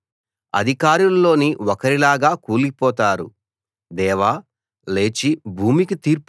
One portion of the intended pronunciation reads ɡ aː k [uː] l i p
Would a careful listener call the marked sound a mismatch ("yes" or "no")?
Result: no